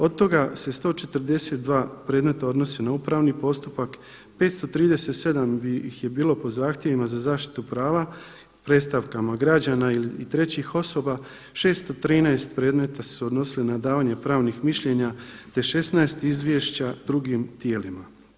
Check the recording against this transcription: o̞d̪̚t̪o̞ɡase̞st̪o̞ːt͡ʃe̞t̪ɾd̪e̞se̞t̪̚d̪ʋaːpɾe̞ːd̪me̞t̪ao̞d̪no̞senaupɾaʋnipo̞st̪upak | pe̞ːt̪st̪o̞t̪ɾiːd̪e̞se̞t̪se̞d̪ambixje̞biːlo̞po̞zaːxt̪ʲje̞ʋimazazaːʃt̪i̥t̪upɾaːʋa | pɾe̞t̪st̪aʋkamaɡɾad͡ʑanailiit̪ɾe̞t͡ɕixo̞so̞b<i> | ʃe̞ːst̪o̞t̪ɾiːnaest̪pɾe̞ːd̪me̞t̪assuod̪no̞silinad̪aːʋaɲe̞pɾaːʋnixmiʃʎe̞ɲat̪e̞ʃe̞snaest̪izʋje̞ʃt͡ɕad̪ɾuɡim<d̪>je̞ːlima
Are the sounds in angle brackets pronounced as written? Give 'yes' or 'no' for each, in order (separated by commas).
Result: no, no